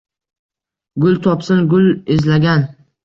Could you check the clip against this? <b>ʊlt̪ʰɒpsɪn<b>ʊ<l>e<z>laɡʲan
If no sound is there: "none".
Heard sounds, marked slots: ɡ, ɡ, l, z

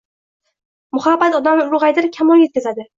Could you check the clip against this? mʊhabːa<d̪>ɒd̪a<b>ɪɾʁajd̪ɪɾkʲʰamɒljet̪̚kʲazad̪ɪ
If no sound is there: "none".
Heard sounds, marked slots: t̪, m

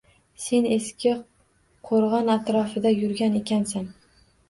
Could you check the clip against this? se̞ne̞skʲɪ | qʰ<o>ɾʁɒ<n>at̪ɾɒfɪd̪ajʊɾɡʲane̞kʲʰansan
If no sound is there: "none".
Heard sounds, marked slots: o, n

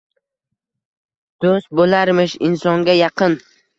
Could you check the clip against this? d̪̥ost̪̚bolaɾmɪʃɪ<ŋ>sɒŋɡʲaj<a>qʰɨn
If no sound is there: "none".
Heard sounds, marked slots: n, ɑ

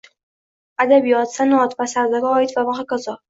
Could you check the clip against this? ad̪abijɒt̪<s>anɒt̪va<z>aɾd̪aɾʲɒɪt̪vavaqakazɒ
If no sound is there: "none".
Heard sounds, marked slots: s, s

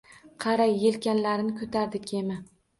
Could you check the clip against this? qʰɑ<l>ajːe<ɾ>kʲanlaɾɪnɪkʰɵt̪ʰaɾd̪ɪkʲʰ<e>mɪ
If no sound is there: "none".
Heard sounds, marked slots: ɾ, l, e

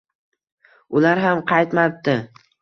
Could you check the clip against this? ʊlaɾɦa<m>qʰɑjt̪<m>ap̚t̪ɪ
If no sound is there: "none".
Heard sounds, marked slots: m, m

